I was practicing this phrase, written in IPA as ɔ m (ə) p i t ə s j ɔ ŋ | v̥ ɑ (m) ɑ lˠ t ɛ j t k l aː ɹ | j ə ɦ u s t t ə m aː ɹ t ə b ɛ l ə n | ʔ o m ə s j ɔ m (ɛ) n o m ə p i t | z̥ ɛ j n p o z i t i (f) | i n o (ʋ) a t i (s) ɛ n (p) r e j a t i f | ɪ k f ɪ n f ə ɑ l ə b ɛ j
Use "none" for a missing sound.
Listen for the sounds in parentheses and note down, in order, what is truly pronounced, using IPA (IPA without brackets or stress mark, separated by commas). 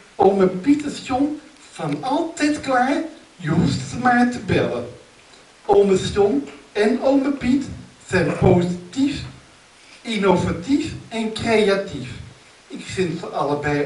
ə, n, ɛ, f, v, f, k